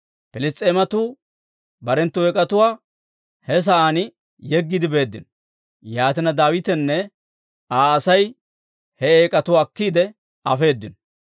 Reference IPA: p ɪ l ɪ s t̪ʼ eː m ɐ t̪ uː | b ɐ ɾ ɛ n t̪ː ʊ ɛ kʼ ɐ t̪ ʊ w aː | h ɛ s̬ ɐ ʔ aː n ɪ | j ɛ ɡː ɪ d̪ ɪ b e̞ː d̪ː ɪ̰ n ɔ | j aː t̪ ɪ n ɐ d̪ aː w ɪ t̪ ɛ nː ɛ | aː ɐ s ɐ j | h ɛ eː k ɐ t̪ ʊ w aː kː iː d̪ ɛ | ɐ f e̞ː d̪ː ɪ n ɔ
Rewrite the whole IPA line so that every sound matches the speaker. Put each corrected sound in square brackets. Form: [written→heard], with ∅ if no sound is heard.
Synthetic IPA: p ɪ l ɪ s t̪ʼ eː m ɐ t̪ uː | b ɐ ɾ ɛ n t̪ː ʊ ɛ kʼ ɐ t̪ ʊ w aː | h ɛ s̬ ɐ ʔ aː n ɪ | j ɛ ɡː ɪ d̪ ɪ b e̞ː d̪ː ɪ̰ n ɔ | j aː t̪ ɪ n ɐ d̪ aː w ɪ t̪ ɛ nː ɛ | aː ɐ s ɐ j | h ɛ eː [k→kʼ] ɐ t̪ ʊ w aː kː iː d̪ ɛ | ɐ f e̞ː d̪ː ɪ n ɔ